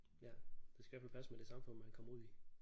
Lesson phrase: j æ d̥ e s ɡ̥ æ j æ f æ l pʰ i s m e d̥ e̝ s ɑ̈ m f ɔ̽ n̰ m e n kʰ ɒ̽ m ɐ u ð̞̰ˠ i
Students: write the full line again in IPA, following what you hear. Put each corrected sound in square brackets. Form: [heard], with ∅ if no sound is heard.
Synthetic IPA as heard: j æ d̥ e s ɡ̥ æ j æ f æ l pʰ [æ] s m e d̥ e̝ s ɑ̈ m f ɔ̽ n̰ m [æ] n kʰ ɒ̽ m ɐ u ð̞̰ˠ i